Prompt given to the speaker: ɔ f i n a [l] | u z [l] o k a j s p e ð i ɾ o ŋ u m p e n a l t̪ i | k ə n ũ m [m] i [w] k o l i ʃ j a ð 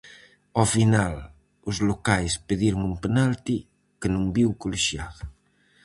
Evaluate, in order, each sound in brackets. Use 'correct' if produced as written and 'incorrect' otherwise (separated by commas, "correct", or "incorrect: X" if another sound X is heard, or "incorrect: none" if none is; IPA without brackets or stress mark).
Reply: correct, correct, incorrect: b, correct